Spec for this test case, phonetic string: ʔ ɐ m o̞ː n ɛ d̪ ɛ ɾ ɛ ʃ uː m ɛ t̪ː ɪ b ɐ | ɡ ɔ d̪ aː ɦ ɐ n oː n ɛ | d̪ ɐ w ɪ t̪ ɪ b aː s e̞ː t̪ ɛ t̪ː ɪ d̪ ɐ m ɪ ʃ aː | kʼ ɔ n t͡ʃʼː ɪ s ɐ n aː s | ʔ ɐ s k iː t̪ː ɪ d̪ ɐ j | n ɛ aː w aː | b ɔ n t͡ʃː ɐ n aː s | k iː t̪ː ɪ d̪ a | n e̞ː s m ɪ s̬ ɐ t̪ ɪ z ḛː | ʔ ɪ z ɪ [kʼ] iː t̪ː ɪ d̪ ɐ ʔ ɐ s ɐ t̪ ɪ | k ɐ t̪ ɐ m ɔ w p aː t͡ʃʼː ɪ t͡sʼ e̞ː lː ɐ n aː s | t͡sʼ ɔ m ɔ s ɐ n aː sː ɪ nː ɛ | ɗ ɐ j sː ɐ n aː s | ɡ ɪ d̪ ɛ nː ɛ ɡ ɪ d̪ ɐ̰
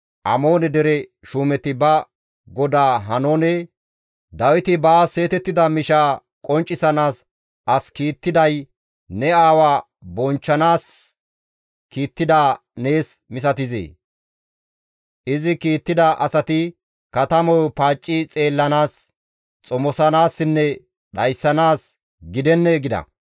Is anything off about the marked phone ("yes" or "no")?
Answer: yes